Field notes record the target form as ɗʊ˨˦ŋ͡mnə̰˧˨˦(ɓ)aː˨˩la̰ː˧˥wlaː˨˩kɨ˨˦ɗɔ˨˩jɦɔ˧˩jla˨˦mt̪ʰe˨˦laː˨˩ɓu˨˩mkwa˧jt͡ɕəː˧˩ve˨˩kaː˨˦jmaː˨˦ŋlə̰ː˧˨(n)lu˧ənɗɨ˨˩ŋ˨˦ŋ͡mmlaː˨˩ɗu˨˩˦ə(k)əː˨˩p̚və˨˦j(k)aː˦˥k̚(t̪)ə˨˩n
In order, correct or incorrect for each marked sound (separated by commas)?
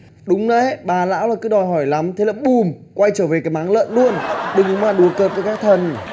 correct, correct, correct, correct, incorrect